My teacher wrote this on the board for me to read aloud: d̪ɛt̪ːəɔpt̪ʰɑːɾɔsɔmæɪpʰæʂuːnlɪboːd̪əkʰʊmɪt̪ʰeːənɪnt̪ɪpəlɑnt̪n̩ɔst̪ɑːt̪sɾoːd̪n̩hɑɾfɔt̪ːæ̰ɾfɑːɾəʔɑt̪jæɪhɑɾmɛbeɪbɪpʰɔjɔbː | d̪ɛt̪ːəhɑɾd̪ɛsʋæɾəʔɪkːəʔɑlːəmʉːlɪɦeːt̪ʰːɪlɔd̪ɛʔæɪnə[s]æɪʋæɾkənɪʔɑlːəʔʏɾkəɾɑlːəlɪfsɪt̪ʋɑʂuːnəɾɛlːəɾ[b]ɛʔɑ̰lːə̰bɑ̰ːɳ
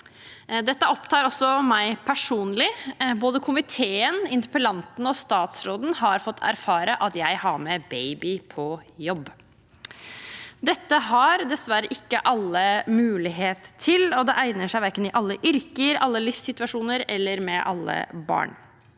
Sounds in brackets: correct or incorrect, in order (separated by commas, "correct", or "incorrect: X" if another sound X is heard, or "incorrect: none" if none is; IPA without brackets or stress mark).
incorrect: ʂ, incorrect: m